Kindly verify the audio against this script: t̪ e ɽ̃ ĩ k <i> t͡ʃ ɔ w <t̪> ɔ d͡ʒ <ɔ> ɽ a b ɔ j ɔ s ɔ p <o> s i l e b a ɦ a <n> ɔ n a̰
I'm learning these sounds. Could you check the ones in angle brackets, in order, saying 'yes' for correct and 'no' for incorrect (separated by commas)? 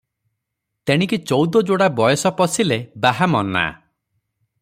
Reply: yes, no, no, no, no